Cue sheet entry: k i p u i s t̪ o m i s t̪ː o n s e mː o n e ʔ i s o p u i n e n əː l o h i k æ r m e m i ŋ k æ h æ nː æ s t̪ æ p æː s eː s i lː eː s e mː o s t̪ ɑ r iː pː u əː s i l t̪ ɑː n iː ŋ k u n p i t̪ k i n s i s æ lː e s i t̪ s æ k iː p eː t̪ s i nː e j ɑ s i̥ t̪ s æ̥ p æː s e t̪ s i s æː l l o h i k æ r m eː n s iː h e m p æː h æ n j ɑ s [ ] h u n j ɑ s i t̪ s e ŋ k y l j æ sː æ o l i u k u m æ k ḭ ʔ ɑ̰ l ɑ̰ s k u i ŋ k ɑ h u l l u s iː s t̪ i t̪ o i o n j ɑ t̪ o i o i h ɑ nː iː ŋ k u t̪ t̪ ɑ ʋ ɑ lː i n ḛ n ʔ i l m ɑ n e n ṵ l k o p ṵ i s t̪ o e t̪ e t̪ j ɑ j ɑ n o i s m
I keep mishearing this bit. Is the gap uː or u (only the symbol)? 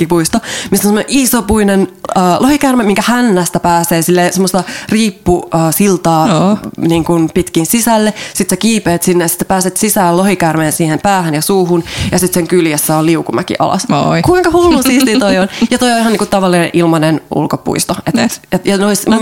uː